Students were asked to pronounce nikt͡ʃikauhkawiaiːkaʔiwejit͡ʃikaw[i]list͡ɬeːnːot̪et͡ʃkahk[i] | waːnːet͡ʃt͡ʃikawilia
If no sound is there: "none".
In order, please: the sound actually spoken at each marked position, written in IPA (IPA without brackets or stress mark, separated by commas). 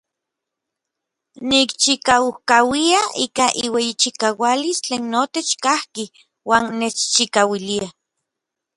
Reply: a, i